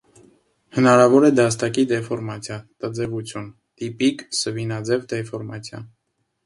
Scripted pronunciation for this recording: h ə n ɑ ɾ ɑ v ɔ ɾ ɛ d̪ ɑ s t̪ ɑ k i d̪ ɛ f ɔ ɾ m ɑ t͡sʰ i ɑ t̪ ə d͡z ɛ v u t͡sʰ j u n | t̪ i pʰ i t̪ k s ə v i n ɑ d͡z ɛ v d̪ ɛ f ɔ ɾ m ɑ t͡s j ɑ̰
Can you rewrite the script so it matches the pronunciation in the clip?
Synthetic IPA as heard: h ə n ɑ ɾ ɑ v ɔ ɾ ɛ d̪ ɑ s t̪ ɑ k i d̪ ɛ f ɔ ɾ m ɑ t͡sʰ j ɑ t̪ ə d͡z ɛ v u t͡sʰ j u n | t̪ i p i k s ə v i n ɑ d͡z ɛ v d̪ ɛ f ɔ ɾ m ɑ t͡sʰ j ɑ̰

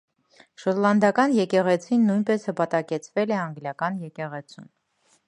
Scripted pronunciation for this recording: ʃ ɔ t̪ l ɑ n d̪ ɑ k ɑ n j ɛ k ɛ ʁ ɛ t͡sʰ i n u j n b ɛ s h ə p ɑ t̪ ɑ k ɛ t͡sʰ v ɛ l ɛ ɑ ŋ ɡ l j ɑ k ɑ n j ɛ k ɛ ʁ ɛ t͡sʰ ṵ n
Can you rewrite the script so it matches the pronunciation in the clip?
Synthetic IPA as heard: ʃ ɔ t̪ l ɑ n d̪ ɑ k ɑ n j ɛ k ɛ ʁ ɛ t͡sʰ i nː u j n p ɛ s h ə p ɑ t̪ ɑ k ɛ t͡sʰ v ɛ l ɛ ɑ ŋ ɡ l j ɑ k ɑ n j ɛ k ɛ ʁ ɛ t͡sʰ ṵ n

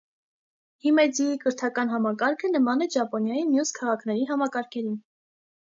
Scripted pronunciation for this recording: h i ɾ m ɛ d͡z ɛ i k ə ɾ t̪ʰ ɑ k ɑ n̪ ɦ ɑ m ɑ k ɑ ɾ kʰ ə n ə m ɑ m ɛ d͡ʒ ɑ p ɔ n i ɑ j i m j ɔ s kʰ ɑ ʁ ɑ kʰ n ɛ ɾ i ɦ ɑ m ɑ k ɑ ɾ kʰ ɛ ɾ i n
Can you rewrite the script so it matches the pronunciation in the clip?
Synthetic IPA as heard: h i m ɛ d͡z i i k ə ɾ t̪ʰ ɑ k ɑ n̪ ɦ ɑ m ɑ k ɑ ɾ kʰ ə n ə m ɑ n ɛ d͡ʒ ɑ p ɔ n j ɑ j i m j u s kʰ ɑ ʁ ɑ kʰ n ɛ ɾ i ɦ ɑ m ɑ k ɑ ɾ kʰ ɛ ɾ i n

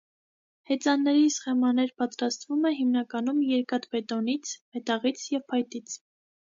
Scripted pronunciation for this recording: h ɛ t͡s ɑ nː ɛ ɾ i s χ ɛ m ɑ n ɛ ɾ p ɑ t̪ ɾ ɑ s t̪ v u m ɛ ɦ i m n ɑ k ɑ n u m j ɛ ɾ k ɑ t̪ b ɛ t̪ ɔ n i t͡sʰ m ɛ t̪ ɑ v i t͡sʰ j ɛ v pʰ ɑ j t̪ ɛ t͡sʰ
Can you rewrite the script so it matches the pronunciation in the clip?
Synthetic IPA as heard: h ɛ t͡s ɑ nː ɛ ɾ i s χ ɛ m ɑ n ɛ ɾ p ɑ t̪ ɾ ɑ s t̪ v u m ɛ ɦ i m n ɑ k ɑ n u m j ɛ ɾ k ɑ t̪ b ɛ t̪ ɔ n i t͡sʰ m ɛ t̪ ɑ ʁ i t͡sʰ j ɛ v pʰ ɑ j t̪ i t͡sʰ

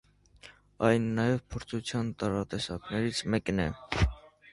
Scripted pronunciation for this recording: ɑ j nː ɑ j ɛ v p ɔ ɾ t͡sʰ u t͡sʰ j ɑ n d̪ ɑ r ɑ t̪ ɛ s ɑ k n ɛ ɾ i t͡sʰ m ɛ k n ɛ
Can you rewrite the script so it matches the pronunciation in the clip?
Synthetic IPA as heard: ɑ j nː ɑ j ɛ v pʰ ɔ ɾ t͡sʰ u t͡sʰ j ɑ n t̪ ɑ ɾ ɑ t̪ ɛ s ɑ k n ɛ ɾ i t͡sʰ m ɛ k n ɛ

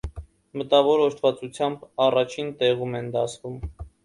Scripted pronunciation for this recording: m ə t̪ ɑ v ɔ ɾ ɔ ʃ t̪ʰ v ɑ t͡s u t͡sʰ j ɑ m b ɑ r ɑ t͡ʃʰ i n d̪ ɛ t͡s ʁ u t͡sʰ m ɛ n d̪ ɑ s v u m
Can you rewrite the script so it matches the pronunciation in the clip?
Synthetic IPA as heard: m ə t̪ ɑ v ɔ ɾ ɔ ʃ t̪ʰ v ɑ t͡s u t͡sʰ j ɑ m b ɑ r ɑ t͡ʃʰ i n t̪ ɛ ʁ u m ɛ n d̪ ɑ s v u m

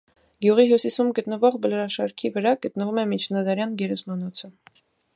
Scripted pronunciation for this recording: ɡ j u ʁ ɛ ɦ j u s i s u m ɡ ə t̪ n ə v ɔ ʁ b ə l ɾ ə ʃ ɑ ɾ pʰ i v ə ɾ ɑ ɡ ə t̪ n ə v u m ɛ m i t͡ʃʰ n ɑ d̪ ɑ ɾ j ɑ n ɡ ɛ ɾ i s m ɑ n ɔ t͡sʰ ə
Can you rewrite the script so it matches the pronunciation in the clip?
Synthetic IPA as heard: ɡ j u ʁ i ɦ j u s i s u m ɡ ə t̪ n ə v ɔ ʁ b ə l ɾ ɑ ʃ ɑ ɾ kʰ i v ə ɾ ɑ ɡ ə t̪ n ə v u m ɛ m i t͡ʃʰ n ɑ d̪ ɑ ɾ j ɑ n ɡ ɛ ɾ ɛ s m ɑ n ɔ t͡sʰ ə

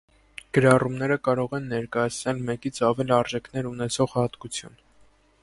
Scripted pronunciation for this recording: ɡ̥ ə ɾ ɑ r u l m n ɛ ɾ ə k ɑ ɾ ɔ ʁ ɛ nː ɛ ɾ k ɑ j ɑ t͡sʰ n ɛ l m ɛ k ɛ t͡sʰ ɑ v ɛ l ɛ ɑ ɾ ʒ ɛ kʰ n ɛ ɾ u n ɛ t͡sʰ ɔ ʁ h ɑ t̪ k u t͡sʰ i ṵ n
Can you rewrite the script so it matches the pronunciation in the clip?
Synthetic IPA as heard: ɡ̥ ə ɾ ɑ r u m n ɛ ɾ ə k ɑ ɾ ɔ ʁ ɛ nː ɛ ɾ k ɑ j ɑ t͡sʰ n ɛ l m ɛ k i t͡sʰ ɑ v ɛ l i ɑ ɾ ʒ ɛ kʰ n ɛ ɾ u n ɛ t͡sʰ ɔ ʁ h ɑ t̪ k u t͡sʰ j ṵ n

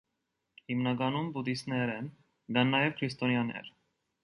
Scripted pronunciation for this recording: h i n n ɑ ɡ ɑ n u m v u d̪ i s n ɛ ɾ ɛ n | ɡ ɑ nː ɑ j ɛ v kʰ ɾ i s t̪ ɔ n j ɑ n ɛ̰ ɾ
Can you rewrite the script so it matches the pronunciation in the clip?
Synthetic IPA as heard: h i m n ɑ ɡ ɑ n u m b u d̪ i s n ɛ ɾ ɛ n | ɡ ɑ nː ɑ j ɛ v kʰ ɾ i s t̪ ɔ n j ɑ n ɛ̰ ɾ

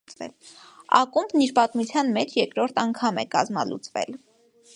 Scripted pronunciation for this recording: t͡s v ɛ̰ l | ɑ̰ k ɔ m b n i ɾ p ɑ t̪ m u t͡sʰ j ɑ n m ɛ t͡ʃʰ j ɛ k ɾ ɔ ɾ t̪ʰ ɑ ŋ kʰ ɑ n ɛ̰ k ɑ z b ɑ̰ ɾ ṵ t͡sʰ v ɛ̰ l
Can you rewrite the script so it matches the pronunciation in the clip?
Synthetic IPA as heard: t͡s v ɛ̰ l | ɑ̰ k u m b n i ɾ p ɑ t̪ m u t͡sʰ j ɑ n m ɛ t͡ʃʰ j ɛ k ɾ ɔ ɾ t̪ʰ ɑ ŋ kʰ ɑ m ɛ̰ k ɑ z m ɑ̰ l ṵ t͡s v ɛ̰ l

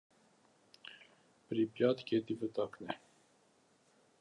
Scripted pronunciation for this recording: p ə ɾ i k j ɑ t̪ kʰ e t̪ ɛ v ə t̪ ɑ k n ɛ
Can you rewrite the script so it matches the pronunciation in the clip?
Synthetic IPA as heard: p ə ɾ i p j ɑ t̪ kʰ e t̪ i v ə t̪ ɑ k n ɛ

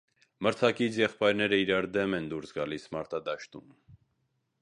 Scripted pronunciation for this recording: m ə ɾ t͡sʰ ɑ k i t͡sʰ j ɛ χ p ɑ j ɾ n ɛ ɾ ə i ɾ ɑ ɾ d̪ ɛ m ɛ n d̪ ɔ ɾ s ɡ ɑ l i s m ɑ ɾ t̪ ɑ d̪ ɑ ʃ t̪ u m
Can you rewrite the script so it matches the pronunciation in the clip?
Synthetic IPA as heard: m ə ɾ t͡sʰ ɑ k i t͡sʰ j ɛ χ p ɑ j ɾ n ɛ ɾ ə i ɾ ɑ ɾ d̪ ɛ m ɛ n d̪ u ɾ s ɡ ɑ l i s m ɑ ɾ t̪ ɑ d̪ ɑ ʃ t̪ u m

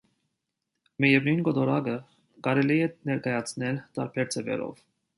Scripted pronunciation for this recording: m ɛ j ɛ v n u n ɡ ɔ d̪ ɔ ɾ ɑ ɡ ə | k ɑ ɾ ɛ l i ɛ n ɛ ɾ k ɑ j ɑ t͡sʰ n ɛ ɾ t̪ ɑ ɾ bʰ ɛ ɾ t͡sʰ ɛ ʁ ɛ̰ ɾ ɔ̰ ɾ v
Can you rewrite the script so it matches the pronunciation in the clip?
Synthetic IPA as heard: m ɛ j ɛ v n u n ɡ ɔ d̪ ɔ ɾ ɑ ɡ ə | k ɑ ɾ ɛ l i ɛ n ɛ ɾ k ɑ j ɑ t͡sʰ n ɛ l t̪ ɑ ɾ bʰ ɛ ɾ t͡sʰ ɛ v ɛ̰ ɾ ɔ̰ v

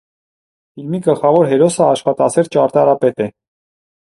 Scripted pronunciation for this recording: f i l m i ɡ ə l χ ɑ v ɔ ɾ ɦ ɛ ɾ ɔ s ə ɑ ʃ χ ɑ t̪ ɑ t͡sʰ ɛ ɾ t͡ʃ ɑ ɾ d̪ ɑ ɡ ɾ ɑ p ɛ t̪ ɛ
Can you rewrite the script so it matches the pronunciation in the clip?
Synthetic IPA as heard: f i l m i ɡ ə l χ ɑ v ɔ ɾ ɦ ɛ ɾ ɔ s ə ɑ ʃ χ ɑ t̪ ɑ t͡sʰ ɛ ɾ t͡ʃ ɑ ɾ t̪ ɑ ɾ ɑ p ɛ t̪ ɛ

